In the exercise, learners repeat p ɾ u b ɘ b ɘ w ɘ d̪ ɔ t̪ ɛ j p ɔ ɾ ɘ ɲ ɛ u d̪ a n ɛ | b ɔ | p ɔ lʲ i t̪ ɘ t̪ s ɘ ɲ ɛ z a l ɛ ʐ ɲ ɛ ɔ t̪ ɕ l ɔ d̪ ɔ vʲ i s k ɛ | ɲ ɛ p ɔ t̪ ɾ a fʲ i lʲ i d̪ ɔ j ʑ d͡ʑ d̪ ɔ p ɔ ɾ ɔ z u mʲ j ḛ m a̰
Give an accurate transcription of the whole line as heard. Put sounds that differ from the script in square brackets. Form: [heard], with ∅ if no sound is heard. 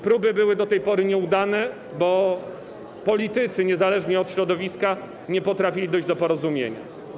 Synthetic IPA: p ɾ u b ɘ b ɘ w ɘ d̪ ɔ t̪ ɛ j p ɔ ɾ ɘ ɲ ɛ u d̪ a n ɛ | b ɔ | p ɔ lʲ i t̪ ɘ t̪ s ɘ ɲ ɛ z a l ɛ ʐ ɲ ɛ ɔ t̪ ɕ [ɾ] ɔ d̪ ɔ vʲ i s k [a] | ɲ ɛ p ɔ t̪ ɾ a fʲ i lʲ i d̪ ɔ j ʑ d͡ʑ d̪ ɔ p ɔ ɾ ɔ z u mʲ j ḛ [ɲ] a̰